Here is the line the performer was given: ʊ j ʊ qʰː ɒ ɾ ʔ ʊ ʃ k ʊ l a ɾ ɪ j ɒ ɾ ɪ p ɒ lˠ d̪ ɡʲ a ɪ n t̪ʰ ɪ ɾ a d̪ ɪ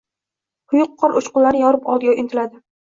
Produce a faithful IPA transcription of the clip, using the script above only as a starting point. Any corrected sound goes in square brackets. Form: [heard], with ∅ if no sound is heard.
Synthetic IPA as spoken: ʊ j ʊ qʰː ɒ ɾ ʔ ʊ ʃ [q] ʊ l a ɾ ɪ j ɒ ɾ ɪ p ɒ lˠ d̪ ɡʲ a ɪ n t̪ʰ ɪ [l] a d̪ ɪ